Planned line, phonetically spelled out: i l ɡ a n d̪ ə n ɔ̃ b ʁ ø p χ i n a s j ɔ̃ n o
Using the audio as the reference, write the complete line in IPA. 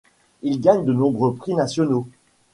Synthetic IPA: i l ɡ a ɲ d̪ ə n ɔ̃ b ʁ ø p χ i n a s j ɔ n o